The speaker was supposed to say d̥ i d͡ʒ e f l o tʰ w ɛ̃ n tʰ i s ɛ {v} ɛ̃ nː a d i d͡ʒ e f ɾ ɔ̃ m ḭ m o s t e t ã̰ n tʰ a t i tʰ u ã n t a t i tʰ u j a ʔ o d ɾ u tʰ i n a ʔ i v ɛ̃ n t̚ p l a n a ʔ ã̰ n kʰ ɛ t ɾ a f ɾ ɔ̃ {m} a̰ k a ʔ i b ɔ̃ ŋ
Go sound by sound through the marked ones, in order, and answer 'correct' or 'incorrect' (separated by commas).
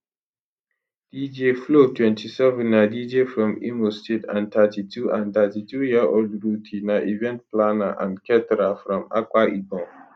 correct, correct